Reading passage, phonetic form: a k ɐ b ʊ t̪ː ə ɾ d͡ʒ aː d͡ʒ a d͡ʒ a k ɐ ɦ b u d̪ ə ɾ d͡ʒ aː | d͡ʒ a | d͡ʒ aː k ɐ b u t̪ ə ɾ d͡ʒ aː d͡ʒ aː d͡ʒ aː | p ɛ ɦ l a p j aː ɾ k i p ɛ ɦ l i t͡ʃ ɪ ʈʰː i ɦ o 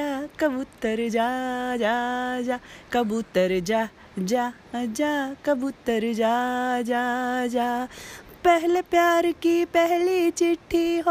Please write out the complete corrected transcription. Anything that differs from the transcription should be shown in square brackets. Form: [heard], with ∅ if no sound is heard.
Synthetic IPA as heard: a k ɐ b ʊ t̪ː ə ɾ d͡ʒ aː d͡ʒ a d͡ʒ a k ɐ [∅] b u [t̪] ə ɾ d͡ʒ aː | d͡ʒ a | d͡ʒ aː k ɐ b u t̪ ə ɾ d͡ʒ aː d͡ʒ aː d͡ʒ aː | p ɛ ɦ l [e] p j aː ɾ k i p ɛ ɦ l i t͡ʃ ɪ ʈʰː i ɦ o